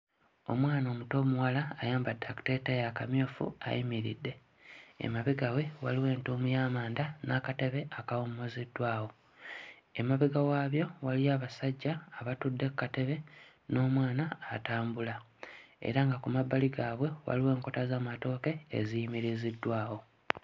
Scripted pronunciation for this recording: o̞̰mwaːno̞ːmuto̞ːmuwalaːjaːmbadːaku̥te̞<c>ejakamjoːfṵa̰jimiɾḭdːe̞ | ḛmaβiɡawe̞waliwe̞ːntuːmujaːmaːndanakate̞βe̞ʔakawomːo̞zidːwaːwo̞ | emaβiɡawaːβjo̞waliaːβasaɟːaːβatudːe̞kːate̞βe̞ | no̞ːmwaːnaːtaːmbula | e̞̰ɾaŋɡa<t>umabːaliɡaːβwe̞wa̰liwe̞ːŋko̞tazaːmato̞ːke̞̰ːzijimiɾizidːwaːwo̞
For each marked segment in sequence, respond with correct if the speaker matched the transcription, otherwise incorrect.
incorrect, incorrect

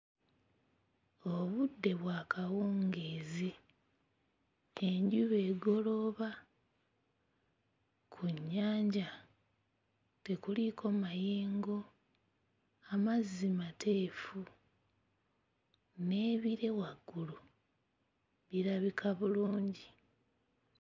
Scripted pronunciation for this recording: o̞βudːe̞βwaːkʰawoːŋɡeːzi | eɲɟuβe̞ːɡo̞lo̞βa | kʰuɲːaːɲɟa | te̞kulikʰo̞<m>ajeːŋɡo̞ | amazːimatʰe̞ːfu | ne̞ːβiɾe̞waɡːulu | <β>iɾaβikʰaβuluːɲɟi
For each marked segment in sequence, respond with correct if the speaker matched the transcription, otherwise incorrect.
correct, correct

